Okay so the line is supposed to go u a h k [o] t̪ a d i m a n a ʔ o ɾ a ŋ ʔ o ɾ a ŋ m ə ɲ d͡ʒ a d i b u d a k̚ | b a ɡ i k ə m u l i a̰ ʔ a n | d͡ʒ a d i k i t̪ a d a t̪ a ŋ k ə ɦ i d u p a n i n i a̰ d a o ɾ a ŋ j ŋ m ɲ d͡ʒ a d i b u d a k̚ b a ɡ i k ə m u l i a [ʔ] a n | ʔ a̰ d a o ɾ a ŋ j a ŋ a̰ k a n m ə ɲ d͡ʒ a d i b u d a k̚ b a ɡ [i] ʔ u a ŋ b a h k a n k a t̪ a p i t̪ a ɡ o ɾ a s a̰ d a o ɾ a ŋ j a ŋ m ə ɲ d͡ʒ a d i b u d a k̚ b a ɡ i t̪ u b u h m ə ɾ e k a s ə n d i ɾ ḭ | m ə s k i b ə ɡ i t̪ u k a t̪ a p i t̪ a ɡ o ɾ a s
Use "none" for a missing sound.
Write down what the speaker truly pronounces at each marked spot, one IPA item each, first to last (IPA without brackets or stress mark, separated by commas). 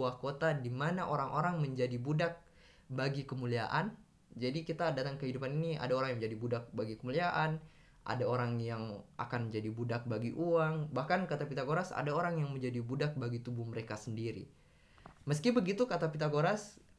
o, ʔ, i